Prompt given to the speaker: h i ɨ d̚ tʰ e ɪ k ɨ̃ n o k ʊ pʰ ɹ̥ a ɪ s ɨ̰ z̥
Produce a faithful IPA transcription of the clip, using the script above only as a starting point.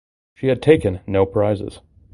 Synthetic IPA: ʃ i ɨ d̚ tʰ e ɪ k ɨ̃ nː o ʊ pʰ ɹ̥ a ɪ z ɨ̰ z̥